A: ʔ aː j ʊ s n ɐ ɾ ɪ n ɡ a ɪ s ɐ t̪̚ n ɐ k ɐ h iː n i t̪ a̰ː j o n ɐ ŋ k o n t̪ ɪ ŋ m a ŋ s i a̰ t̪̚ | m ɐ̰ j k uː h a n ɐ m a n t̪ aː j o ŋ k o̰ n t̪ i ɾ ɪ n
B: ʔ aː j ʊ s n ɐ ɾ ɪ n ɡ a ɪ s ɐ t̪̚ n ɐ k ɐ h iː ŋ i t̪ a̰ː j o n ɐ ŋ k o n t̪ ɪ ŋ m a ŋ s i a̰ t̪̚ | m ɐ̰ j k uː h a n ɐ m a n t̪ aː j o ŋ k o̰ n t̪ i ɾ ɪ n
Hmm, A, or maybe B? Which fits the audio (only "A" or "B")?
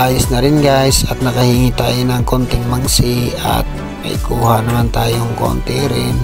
B